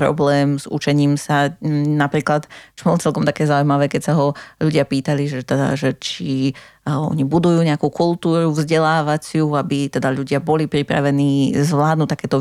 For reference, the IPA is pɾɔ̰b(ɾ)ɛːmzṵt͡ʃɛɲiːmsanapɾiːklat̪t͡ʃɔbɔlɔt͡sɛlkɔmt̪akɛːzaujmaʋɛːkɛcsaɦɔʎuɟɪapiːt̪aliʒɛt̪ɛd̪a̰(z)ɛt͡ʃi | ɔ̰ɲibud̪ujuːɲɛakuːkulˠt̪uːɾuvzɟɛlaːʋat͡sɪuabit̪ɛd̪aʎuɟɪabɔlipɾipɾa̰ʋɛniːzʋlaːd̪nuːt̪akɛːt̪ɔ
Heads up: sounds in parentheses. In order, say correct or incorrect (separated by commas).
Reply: incorrect, incorrect